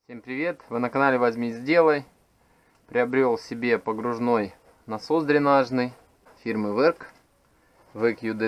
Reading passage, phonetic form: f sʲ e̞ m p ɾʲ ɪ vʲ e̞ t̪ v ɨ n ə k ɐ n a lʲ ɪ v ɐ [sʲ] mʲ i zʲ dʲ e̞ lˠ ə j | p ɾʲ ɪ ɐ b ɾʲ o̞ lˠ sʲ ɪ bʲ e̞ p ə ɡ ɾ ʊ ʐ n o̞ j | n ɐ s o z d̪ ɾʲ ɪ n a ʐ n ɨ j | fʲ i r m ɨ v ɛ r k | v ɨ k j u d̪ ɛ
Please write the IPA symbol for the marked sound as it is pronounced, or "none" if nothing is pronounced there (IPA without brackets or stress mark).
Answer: zʲ